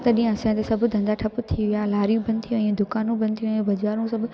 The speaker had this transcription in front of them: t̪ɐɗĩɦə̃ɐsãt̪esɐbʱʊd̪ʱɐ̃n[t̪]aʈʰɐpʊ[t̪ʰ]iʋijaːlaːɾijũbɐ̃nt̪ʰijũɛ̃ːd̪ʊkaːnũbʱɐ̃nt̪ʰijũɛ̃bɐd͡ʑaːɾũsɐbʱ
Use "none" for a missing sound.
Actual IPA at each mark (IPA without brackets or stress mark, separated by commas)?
d̪, t̪ʰ